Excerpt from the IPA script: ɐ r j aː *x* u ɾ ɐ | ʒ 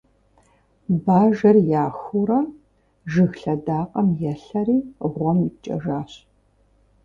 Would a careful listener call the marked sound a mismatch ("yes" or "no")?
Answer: no